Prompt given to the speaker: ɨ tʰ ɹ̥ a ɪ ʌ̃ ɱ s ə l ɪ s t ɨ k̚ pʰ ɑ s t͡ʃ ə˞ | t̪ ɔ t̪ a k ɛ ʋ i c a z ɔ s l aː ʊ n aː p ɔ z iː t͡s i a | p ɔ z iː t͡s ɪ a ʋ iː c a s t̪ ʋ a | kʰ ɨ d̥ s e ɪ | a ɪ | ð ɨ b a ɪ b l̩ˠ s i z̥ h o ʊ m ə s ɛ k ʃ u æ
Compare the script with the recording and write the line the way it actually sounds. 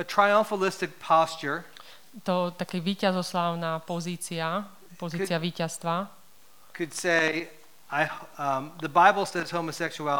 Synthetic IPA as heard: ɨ tʰ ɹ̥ a ɪ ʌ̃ ɱ f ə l ɪ s t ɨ k̚ pʰ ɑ s t͡ʃ ə˞ | t̪ ɔ t̪ a k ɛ ʋ iː c a z ɔ s l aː ʊ n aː p ɔ z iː t͡s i a | p ɔ z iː t͡s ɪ a ʋ iː c a s t̪ ʋ a | kʰ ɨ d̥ s e ɪ | a ɪ | ð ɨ b a ɪ b l̩ˠ s ɛ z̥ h o ʊ m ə s ɛ k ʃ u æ